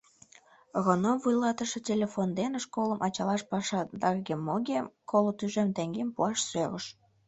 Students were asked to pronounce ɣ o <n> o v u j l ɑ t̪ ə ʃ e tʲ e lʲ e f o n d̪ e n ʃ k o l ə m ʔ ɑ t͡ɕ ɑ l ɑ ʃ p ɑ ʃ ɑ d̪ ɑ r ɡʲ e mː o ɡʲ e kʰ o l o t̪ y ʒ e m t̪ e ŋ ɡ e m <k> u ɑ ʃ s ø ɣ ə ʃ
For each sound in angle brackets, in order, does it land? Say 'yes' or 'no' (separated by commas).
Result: yes, no